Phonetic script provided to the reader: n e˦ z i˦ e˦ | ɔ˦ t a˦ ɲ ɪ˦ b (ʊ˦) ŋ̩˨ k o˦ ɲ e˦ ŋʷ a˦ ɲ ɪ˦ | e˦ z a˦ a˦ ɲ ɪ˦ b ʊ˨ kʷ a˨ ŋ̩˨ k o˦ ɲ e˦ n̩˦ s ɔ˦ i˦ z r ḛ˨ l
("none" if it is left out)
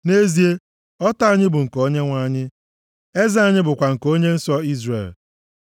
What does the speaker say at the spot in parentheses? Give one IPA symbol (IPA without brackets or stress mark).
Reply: ʊ˨